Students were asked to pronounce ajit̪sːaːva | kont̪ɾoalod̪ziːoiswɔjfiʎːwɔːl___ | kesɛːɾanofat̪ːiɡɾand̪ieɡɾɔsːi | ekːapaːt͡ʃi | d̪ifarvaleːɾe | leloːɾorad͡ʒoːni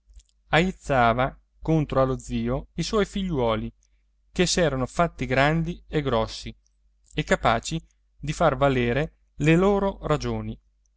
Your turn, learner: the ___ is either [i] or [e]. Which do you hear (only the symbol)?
i